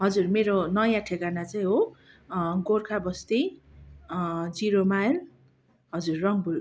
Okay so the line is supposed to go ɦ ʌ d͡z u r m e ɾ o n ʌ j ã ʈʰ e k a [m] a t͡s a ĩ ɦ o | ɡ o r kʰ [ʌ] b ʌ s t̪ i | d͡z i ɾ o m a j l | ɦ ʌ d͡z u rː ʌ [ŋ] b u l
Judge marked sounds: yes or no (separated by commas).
no, no, yes